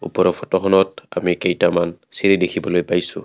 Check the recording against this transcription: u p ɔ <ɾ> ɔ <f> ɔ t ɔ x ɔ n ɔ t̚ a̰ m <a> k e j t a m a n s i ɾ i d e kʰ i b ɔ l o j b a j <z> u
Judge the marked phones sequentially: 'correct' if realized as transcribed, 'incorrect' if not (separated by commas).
correct, correct, incorrect, incorrect